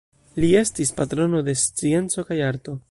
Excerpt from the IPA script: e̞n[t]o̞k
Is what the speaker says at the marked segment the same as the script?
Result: no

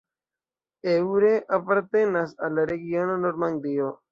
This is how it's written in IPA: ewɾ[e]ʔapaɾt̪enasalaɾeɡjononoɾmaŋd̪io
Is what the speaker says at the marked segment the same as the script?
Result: yes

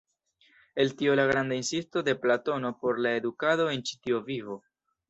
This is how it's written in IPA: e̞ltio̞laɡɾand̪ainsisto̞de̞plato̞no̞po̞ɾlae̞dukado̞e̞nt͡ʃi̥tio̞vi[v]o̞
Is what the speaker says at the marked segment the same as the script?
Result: yes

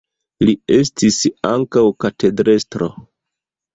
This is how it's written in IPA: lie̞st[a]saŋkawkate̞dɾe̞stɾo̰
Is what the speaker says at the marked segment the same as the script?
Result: no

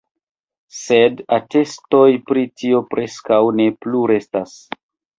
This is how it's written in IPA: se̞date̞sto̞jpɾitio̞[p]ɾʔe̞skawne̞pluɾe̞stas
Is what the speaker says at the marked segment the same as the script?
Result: yes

